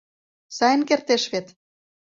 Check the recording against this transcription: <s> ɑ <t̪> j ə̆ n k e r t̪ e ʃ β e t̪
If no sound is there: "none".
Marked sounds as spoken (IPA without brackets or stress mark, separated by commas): s, none